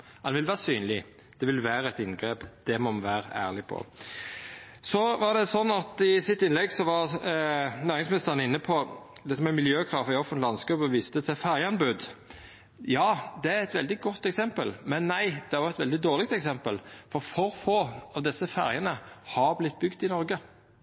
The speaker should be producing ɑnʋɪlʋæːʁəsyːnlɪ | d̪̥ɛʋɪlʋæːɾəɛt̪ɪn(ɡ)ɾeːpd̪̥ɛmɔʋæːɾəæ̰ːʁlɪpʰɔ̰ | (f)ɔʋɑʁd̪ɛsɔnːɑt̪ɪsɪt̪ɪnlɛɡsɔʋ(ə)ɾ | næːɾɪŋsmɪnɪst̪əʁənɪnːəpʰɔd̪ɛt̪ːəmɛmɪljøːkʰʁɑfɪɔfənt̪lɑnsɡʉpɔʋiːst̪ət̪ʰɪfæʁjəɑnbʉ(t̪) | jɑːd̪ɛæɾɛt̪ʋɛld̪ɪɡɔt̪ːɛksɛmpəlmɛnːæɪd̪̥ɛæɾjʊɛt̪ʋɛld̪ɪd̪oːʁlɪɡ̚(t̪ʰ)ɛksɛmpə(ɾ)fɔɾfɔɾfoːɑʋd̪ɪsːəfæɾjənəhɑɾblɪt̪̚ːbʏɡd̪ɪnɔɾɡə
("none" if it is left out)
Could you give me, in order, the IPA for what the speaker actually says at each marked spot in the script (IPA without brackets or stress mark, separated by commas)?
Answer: ɡ, s, ɑ, d̪, t̪, l